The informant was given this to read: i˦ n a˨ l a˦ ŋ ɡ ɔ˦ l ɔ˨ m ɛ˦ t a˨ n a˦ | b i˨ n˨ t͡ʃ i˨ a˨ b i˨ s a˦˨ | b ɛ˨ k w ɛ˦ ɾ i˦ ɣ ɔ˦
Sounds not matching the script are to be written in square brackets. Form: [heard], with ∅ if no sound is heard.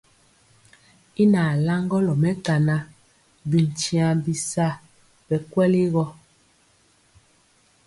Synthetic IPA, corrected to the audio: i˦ n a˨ l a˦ ŋ ɡ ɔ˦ l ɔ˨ m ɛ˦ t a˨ n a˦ | b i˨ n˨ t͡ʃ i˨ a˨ b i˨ s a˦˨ | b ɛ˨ k w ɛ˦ [l] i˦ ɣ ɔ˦